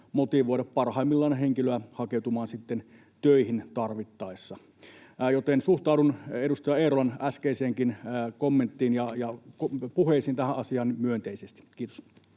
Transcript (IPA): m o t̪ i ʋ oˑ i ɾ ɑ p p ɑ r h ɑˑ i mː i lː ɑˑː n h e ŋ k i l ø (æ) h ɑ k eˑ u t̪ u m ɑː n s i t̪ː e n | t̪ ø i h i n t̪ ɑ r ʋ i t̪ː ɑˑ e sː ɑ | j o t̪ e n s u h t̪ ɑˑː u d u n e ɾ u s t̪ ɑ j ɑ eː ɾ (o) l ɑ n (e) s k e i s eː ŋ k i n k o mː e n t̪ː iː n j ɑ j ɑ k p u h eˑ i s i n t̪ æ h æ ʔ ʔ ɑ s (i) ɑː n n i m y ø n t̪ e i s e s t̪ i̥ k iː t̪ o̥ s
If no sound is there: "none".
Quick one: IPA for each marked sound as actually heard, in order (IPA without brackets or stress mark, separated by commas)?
æ, o, æ, i